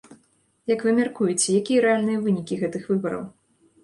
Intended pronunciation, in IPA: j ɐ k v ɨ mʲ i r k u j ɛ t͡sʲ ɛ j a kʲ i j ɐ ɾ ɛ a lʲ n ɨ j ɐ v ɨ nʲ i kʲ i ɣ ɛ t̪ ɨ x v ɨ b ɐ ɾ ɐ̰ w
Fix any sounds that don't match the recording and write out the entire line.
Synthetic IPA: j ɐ k v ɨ mʲ a r k u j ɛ t͡sʲ ɛ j a kʲ i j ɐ ɾ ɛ a lʲ n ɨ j ɐ v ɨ nʲ i kʲ i ɣ ɛ t̪ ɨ x v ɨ b ɐ ɾ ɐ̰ w

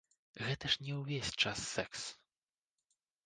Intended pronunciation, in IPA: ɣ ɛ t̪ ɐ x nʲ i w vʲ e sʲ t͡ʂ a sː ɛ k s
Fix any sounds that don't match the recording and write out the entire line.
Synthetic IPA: ɣ ɛ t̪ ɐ ʂ nʲ ɛ w vʲ e sʲ t͡ʂ a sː ɛ k s

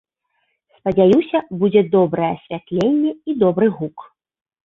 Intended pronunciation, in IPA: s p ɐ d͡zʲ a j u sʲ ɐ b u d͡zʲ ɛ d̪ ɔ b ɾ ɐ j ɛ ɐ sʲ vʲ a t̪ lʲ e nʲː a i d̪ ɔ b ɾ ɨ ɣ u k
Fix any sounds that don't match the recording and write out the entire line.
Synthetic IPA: s p ɐ d͡zʲ a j u sʲ ɐ b u d͡zʲ ɛ d̪ ɔ b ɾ ɐ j ɛ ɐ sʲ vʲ a t̪ lʲ e nʲː ɛ i d̪ ɔ b ɾ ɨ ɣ u k

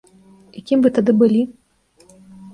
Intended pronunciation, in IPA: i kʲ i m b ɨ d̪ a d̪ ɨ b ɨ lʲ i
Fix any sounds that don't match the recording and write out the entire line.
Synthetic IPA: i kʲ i m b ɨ t̪ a d̪ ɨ b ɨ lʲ i

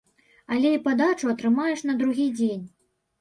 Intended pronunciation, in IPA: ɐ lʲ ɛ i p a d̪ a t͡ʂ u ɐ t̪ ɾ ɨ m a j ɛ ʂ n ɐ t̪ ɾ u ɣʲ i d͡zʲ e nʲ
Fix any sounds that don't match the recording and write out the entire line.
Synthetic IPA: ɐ lʲ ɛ i p a d̪ a t͡ʂ u ɐ t̪ ɾ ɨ m a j ɛ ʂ n ɐ d̪ ɾ u ɣʲ i d͡zʲ e nʲ

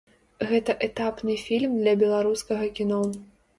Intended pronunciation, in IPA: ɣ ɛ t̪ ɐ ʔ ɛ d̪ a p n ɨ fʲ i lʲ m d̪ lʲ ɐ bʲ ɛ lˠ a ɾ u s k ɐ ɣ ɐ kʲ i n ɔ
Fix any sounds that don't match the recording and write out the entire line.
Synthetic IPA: ɣ ɛ t̪ ɐ ʔ ɛ t̪ a p n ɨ fʲ i lʲ m d̪ lʲ ɐ bʲ ɛ lˠ a ɾ u s k ɐ ɣ ɐ kʲ i n ɔ

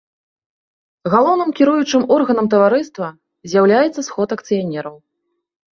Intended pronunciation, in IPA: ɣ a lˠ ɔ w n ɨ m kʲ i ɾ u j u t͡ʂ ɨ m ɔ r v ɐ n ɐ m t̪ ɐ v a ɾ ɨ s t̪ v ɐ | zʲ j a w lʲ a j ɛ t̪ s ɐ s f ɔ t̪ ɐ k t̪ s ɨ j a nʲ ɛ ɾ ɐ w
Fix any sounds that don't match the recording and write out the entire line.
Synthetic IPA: ɣ a lˠ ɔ w n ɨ m kʲ i ɾ u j u t͡ʂ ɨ m ɔ r ɣ ɐ n ɐ m t̪ ɐ v a ɾ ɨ s t̪ v ɐ | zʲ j a w lʲ a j ɛ t̪ sː ɐ s x ɔ t̪ ɐ k t̪ s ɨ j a nʲ ɛ ɾ ɐ w

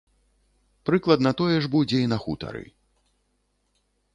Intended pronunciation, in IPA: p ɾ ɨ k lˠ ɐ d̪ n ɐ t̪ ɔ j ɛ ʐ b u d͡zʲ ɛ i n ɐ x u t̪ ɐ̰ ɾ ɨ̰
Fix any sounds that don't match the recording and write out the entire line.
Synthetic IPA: p ɾ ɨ k lˠ ɐ d̪ n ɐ t̪ ɔ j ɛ ʐ b u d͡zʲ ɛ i n ɐ x u t̪ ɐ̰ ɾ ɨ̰

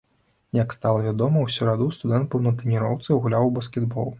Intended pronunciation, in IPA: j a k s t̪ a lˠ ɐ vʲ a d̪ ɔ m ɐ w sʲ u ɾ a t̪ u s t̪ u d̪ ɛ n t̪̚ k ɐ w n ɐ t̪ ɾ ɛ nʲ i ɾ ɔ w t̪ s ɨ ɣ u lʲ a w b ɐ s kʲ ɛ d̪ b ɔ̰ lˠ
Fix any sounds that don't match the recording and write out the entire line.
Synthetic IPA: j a k s t̪ a lˠ ɐ vʲ a d̪ ɔ m ɐ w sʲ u ɾ a d̪ u s t̪ u d̪ ɛ n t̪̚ p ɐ w n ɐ t̪ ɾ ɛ nʲ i ɾ ɔ w t̪ s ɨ ɣ u lʲ a w b ɐ s kʲ ɛ d̪ b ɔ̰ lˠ

